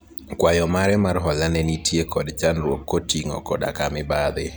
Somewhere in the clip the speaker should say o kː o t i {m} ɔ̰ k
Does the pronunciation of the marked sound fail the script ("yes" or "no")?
yes